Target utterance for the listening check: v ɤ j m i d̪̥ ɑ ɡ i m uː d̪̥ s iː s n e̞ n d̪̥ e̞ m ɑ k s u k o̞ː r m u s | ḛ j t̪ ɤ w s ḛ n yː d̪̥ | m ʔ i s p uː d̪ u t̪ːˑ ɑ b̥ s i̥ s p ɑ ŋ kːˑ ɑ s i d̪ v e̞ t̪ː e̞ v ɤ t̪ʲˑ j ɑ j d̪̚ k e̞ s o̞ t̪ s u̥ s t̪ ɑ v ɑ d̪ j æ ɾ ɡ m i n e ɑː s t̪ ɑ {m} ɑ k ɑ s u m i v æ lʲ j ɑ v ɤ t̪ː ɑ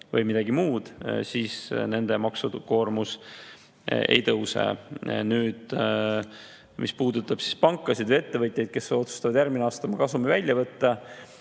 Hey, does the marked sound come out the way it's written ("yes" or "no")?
yes